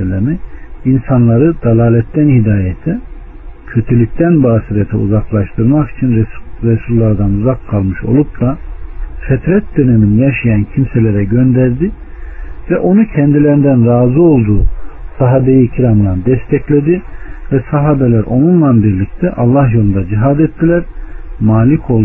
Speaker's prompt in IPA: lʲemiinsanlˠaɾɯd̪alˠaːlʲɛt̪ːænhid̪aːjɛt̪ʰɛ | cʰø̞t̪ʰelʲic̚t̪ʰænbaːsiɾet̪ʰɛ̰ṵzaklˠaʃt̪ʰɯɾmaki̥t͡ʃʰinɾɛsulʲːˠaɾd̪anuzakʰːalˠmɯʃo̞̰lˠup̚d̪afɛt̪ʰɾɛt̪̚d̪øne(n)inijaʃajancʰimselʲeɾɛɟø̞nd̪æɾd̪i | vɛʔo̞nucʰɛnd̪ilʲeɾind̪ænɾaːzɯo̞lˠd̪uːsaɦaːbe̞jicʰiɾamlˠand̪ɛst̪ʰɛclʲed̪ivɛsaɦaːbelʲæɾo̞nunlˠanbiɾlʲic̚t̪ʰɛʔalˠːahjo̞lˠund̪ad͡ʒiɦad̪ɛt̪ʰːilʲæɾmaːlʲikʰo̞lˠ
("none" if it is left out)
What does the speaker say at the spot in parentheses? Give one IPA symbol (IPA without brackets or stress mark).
m